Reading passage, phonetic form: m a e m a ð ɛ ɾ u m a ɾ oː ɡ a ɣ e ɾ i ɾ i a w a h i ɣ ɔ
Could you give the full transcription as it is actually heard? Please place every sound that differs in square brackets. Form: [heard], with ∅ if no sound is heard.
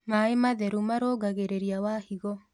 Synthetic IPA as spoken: m a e m a ð ɛ ɾ u m a ɾ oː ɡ a ɣ e ɾ [e] ɾ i a w a h i ɣ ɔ